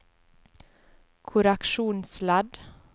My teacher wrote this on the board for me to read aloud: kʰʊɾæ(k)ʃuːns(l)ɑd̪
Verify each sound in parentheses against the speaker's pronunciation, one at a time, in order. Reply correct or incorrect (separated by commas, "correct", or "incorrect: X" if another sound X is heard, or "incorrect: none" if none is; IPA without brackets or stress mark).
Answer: correct, correct